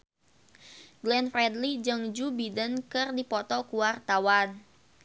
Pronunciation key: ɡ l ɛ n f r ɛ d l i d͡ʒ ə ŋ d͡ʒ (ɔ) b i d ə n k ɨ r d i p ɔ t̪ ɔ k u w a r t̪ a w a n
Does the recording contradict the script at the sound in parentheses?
yes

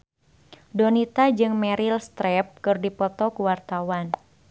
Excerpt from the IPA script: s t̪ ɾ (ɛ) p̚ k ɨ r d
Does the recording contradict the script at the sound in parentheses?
no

